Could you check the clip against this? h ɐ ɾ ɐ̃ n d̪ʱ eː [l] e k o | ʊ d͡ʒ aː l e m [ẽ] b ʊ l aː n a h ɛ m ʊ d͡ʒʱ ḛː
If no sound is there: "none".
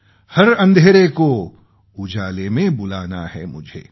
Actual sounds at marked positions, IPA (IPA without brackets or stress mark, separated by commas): ɾ, ẽ